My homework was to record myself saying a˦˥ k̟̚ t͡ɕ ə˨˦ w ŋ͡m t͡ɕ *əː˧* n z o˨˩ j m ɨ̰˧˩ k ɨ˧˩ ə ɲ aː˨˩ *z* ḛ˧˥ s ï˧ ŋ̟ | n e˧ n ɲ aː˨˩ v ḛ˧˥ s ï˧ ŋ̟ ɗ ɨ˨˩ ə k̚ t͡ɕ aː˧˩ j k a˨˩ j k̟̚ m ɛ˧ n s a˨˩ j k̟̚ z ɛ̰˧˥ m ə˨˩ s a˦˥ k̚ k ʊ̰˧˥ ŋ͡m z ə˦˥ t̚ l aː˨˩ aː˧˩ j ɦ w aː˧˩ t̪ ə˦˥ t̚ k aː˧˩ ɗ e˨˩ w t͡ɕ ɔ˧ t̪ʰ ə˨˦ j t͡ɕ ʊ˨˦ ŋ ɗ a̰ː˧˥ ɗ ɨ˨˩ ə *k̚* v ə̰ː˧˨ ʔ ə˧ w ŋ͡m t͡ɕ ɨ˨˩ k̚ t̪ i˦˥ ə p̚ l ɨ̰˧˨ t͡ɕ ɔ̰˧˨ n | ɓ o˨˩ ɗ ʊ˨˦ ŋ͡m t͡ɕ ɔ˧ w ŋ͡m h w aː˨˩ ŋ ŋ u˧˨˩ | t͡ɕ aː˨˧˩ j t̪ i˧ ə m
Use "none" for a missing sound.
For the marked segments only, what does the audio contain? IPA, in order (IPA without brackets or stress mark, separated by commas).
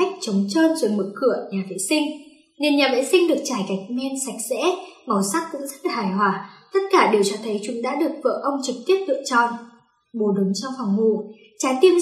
əː˧, v, k̚